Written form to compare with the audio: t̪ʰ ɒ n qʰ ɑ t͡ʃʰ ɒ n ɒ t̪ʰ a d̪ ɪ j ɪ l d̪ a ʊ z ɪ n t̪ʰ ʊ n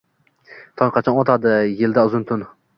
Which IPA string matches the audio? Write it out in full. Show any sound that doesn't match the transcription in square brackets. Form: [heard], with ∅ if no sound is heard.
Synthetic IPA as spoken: t̪ʰ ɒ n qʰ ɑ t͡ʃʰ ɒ n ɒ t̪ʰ a d̪ ɪ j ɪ l d̪ a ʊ z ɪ n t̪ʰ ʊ n